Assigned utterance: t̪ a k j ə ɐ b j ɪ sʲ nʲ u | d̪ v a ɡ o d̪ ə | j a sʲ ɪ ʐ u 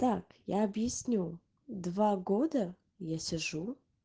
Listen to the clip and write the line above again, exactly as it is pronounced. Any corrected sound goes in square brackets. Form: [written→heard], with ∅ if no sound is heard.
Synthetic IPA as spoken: t̪ a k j [ə→a] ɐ b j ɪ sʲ nʲ u | d̪ v a ɡ o d̪ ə | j a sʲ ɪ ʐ u